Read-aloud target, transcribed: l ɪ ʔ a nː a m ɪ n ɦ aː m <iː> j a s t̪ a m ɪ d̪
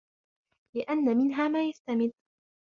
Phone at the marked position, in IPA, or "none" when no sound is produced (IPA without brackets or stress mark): aː